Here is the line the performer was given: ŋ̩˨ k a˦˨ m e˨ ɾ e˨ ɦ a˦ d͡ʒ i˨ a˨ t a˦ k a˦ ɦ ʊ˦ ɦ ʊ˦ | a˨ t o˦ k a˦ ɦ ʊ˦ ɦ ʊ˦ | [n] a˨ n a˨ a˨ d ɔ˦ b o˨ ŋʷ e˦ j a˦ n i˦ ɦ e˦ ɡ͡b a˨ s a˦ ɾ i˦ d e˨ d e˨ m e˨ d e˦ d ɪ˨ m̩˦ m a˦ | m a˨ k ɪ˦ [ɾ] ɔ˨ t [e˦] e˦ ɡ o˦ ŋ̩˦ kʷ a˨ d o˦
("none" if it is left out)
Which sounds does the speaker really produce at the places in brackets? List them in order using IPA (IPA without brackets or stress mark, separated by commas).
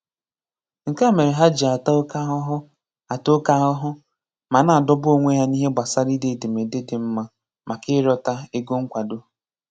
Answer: m, ɾ, a˦